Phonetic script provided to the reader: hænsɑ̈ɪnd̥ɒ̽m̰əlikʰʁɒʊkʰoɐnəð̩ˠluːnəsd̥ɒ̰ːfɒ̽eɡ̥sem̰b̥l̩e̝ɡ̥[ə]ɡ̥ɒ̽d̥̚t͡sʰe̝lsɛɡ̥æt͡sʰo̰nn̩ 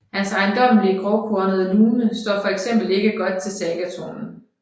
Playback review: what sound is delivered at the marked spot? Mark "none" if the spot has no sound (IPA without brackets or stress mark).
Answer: ə